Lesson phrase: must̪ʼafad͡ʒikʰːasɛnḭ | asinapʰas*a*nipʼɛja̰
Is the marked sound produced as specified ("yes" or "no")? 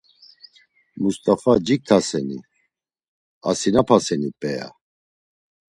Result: no